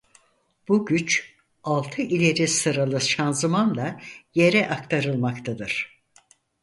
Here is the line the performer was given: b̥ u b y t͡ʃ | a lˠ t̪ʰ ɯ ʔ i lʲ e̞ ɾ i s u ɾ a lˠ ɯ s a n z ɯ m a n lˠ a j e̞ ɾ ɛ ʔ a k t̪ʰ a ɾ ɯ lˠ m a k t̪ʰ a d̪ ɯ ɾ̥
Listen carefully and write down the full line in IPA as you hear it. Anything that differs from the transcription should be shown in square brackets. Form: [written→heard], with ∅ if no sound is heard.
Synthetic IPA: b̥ u [b→ɟ] y t͡ʃ | a lˠ t̪ʰ ɯ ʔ i lʲ e̞ ɾ i s [u→ɯ] ɾ a lˠ ɯ [s→ʃ] a n z ɯ m a n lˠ a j e̞ ɾ ɛ ʔ a k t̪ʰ a ɾ ɯ lˠ m a k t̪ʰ a d̪ ɯ ɾ̥